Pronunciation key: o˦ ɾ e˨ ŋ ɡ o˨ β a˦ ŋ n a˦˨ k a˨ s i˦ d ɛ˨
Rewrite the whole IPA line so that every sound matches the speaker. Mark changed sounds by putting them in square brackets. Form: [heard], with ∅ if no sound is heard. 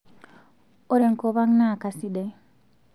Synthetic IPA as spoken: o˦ ɾ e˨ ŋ [k] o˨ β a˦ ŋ n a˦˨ k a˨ s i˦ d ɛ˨